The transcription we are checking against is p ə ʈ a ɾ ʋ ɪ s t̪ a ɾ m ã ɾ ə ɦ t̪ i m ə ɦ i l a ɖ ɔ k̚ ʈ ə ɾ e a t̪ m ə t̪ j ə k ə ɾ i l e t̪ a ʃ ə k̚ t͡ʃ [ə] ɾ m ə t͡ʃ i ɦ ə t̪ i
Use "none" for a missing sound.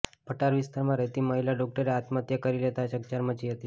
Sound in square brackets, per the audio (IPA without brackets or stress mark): a